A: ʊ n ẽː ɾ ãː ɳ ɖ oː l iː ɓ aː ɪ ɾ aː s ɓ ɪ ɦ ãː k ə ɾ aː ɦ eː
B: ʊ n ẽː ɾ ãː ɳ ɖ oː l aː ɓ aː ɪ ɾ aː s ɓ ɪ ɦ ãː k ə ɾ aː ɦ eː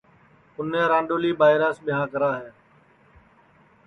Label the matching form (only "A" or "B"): A